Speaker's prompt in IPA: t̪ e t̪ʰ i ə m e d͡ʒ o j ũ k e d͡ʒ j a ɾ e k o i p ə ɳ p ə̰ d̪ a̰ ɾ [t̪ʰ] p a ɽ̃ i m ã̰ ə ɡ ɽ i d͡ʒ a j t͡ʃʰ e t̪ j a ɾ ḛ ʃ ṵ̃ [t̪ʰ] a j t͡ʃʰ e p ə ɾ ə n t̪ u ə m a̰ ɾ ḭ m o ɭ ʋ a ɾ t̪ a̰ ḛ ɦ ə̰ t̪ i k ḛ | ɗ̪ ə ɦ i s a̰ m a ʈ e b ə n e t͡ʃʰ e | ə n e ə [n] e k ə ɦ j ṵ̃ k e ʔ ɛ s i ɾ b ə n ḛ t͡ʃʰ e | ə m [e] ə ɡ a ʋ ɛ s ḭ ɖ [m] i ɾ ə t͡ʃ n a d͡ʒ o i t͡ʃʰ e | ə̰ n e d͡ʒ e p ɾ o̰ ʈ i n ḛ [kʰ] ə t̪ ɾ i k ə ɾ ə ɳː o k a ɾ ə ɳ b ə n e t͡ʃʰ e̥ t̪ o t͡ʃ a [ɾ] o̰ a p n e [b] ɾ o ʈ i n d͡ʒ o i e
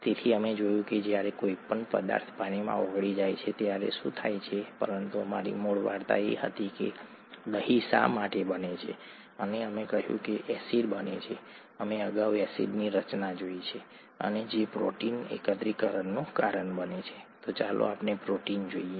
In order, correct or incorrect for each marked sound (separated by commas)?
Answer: correct, correct, incorrect, correct, incorrect, incorrect, incorrect, incorrect